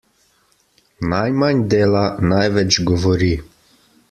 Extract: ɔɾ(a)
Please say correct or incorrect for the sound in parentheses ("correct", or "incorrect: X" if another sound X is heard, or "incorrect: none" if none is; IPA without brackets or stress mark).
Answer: incorrect: i